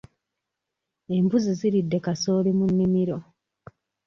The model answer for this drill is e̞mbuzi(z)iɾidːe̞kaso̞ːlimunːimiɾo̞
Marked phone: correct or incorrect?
correct